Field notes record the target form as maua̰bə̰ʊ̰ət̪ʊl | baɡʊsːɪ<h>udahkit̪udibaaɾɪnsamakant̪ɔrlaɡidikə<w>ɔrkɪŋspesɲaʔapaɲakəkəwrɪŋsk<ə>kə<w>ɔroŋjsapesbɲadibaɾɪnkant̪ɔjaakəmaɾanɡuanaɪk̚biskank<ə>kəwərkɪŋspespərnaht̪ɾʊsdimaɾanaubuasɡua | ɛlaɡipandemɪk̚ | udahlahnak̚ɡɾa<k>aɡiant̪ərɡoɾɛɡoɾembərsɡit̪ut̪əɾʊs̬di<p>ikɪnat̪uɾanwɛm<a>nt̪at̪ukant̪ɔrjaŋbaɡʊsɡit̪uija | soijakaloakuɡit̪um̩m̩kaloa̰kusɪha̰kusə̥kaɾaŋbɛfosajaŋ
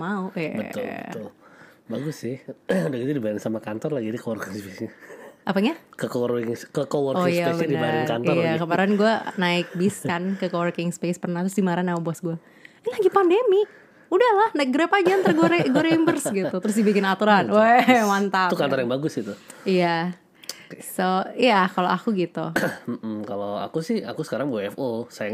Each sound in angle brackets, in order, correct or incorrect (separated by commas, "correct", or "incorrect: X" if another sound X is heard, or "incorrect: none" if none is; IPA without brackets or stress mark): correct, correct, correct, correct, correct, incorrect: p, incorrect: b, correct